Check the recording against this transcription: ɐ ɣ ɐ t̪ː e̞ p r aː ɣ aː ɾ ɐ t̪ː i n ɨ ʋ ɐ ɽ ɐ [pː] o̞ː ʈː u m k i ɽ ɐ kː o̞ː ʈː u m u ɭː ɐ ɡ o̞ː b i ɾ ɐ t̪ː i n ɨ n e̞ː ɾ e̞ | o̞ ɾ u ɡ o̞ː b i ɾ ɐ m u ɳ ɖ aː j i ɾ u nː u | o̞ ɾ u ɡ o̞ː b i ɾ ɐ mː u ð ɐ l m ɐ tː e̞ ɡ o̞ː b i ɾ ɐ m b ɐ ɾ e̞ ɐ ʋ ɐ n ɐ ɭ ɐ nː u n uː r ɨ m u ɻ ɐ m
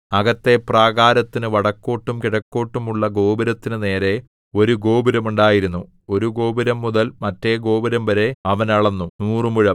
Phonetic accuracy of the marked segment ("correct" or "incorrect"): incorrect